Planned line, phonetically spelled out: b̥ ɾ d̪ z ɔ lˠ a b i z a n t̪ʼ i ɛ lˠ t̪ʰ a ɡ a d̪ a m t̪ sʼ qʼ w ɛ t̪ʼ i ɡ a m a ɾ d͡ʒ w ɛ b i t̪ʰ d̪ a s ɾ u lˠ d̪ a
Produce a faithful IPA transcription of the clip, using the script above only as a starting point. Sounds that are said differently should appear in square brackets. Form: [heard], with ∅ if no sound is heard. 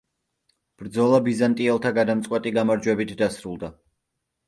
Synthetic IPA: b̥ ɾ d̪ z ɔ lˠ a b i z a n t̪ʼ i ɛ lˠ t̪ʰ a ɡ a d̪ a m t̪ sʼ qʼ w ɛ t̪ʼ i ɡ a m a ɾ d͡ʒ w ɛ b i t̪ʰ d̪ a s ɾ u lˠ d̪ a